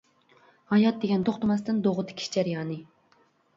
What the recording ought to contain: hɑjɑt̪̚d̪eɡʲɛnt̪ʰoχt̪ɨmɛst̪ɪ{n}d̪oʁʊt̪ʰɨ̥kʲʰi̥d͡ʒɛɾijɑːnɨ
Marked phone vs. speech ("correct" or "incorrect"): correct